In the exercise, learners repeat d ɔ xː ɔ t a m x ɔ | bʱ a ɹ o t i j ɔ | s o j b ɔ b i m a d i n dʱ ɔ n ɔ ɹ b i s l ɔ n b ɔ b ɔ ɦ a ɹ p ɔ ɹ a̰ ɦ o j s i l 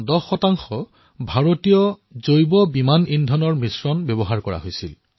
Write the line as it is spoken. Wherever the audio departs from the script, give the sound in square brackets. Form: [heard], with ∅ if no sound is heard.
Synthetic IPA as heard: d ɔ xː ɔ t a [ŋ] x ɔ | bʱ a ɹ o t i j ɔ | [z] o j b ɔ b i m a [n] i n dʱ ɔ n ɔ ɹ [m] i s [ɹ] ɔ n b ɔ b ɔ ɦ a ɹ [k] ɔ ɹ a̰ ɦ o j s i l